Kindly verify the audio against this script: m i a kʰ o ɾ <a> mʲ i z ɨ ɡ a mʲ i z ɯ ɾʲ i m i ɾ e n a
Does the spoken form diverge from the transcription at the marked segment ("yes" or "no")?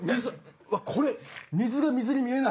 yes